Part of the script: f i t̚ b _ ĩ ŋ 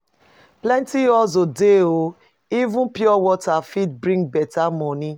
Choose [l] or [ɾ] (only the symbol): ɾ